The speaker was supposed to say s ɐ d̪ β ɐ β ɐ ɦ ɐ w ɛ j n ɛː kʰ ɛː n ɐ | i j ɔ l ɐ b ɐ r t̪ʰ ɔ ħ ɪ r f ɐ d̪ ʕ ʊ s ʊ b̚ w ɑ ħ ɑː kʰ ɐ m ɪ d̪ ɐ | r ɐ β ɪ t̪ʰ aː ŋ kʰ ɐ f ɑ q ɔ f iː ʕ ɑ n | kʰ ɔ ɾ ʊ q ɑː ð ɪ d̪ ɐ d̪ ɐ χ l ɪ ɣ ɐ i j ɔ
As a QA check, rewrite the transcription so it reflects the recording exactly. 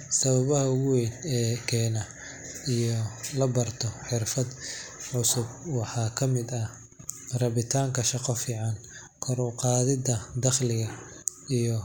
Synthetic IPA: s ɐ β ɐ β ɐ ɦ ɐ w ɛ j n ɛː kʰ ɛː n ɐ | i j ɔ l ɐ b ɐ r t̪ʰ ɔ ħ ɪ r f ɐ d̪ ʕ ʊ s ʊ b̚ w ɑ ħ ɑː kʰ ɐ m ɪ d̪ ɐ | r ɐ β ɪ t̪ʰ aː ŋ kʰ ɐ ʃ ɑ q ɔ f iː ʕ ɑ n | kʰ ɔ ɾ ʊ q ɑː ð ɪ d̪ ɐ d̪ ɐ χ l ɪ ɣ ɐ i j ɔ